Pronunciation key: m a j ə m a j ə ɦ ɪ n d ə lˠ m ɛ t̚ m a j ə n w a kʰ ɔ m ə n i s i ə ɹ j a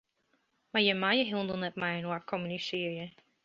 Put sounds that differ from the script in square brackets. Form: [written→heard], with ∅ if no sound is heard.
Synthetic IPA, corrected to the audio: m a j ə m a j ə ɦ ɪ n d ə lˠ [m→n] ɛ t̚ m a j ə n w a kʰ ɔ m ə n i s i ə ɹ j [a→ə]